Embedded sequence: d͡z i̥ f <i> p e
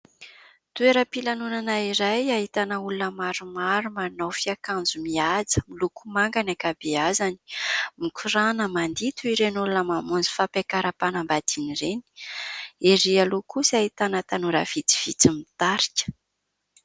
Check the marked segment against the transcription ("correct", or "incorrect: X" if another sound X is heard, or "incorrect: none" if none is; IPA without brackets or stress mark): incorrect: a